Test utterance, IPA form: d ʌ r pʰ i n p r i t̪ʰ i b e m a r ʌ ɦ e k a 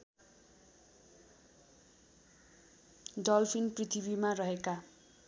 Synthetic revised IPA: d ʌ l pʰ i n p r i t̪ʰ i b i m a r ʌ ɦ e k a